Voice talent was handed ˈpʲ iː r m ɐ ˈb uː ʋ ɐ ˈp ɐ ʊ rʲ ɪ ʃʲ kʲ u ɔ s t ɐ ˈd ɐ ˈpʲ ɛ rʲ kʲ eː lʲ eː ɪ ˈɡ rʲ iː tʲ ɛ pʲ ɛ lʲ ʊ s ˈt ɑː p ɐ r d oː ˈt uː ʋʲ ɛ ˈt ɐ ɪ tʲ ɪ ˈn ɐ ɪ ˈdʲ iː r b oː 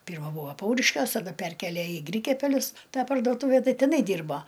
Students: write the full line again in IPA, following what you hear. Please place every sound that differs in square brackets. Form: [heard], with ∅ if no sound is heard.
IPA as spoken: ˈpʲ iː r m ɐ ˈb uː ʋ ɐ ˈp ɐ ʊ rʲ ɪ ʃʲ kʲ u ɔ s t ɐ ˈd ɐ ˈpʲ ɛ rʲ kʲ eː lʲ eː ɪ ˈɡ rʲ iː [kʲ] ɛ pʲ ɛ lʲ ʊ s ˈt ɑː p ɐ r d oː ˈt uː ʋʲ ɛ ˈt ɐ ɪ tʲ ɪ ˈn ɐ ɪ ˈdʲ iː r b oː